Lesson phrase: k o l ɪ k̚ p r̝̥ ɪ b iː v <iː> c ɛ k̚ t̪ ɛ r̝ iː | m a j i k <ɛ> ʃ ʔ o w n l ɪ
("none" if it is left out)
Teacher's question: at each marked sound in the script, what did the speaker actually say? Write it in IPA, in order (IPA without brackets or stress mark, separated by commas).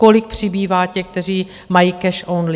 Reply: aː, ɛ